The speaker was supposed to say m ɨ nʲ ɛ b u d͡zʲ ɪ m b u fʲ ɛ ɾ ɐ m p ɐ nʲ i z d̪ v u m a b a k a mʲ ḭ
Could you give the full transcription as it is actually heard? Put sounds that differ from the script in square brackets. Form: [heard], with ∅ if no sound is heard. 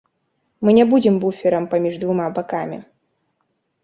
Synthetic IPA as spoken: m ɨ nʲ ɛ b u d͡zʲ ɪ m b u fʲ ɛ ɾ ɐ m p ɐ [mʲ] i [ʐ] d̪ v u m a b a k a mʲ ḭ